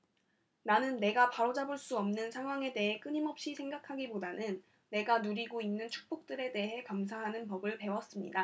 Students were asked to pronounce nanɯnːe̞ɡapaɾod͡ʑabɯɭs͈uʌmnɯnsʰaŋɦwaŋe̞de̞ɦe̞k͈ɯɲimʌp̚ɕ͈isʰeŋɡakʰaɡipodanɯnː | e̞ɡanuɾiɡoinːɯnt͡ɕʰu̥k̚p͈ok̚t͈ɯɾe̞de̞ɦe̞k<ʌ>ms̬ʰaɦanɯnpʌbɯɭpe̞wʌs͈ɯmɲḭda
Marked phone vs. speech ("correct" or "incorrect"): incorrect